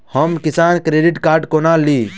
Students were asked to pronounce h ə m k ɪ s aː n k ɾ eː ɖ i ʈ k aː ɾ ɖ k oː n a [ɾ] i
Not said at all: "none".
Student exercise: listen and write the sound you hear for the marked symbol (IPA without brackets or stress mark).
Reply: l